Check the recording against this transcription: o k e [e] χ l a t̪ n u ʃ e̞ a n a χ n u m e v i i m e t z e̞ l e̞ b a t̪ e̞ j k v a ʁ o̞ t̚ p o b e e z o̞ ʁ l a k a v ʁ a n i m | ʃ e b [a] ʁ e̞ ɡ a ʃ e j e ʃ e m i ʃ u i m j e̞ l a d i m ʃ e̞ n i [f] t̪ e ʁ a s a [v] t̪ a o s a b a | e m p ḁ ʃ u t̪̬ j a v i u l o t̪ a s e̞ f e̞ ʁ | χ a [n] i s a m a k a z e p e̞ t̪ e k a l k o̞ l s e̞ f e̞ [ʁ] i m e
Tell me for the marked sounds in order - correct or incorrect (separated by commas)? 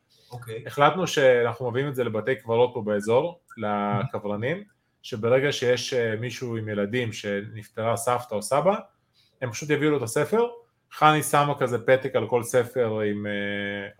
correct, incorrect, correct, incorrect, correct, correct